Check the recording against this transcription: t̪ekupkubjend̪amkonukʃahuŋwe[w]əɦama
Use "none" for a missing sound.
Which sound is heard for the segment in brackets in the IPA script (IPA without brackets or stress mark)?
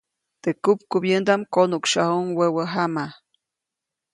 w